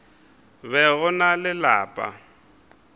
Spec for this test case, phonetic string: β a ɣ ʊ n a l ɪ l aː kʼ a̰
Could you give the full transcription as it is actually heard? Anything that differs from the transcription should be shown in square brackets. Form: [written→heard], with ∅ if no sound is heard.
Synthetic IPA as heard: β [a→ɛ] ɣ ʊ n a l ɪ l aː [kʼ→pʼ] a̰